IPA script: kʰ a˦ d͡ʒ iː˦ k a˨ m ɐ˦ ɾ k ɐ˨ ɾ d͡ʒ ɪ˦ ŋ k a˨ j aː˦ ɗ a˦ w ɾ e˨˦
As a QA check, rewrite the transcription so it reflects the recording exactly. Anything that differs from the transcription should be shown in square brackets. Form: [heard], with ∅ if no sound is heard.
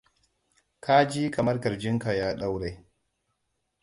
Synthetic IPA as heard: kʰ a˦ d͡ʒ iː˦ k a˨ m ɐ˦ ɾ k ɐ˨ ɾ d͡ʒ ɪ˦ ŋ k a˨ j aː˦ ɗ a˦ w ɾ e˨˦